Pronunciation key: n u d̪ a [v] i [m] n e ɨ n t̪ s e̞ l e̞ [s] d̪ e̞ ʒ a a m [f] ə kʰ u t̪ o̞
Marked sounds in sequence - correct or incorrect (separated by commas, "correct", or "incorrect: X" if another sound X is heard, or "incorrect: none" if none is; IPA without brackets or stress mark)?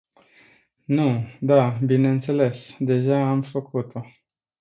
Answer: incorrect: b, incorrect: none, correct, correct